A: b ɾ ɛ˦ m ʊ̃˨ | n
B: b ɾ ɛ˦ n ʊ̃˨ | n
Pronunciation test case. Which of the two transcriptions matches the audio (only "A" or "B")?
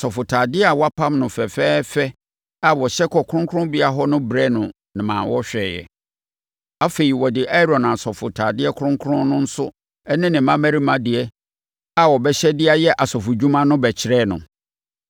B